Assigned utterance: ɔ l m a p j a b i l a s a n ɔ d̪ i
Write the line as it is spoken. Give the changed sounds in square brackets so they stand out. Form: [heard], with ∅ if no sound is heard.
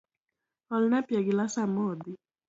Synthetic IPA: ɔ l [n] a p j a [ɡ] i l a s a [m] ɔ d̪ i